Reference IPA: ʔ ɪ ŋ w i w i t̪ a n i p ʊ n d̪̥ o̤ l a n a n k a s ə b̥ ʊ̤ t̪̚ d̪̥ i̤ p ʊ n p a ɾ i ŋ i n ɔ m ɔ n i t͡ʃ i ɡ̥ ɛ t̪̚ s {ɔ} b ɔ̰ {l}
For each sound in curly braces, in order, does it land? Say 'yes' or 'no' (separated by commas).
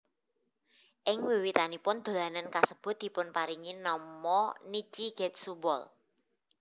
no, yes